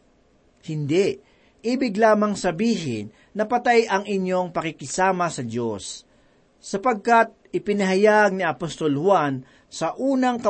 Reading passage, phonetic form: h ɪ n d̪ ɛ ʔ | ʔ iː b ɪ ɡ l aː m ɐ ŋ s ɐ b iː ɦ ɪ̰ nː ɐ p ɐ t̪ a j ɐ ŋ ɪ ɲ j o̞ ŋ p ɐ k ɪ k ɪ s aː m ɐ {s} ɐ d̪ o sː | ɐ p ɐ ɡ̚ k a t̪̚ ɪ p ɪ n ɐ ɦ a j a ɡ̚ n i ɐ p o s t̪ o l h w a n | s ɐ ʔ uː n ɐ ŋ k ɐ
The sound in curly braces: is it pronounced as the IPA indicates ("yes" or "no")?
yes